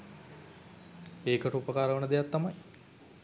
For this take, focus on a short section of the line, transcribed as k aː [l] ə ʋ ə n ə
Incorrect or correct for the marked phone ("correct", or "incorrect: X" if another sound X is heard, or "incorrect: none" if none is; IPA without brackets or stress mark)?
incorrect: ɾ